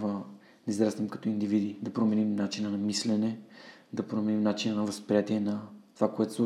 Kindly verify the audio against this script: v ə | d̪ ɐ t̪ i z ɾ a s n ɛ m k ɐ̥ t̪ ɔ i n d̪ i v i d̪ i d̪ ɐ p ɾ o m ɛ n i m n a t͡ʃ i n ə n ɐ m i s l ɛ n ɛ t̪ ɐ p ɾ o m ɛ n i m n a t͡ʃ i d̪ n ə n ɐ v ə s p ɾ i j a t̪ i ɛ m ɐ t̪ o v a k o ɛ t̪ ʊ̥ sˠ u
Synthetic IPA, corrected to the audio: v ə | d̪ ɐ i z ɾ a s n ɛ m k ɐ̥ t̪ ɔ i n d̪ i v i d̪ i d̪ ɐ p ɾ o m ɛ n i m n a t͡ʃ i n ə n ɐ m i s l ɛ n ɛ d̪ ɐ p ɾ o m ɛ n i m n a t͡ʃ i n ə n ɐ v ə s p ɾ i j a t̪ i ɛ n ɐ t̪ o v a k o ɛ t̪ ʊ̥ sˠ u